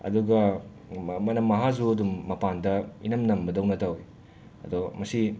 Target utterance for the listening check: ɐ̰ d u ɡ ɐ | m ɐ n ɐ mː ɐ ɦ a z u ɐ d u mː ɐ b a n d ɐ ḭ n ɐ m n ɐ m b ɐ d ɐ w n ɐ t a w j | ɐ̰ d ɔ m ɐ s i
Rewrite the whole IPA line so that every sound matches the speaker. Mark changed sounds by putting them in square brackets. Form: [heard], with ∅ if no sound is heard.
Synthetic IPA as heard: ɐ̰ d u ɡ ɐ | m ɐ n ɐ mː ɐ ɦ a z u ɐ d u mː ɐ [p] a n d ɐ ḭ n ɐ m n ɐ m b ɐ d ɐ w n ɐ t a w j | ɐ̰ d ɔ m ɐ s i